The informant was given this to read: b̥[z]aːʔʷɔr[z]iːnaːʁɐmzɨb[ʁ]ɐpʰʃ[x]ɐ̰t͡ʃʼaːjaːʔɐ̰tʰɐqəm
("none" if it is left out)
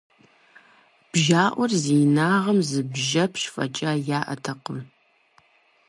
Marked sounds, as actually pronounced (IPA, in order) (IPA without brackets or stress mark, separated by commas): ʒ, z, ʒ, f